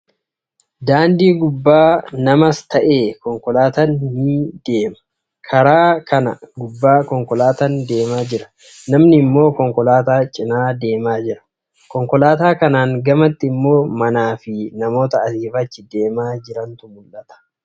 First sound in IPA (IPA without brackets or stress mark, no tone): d̪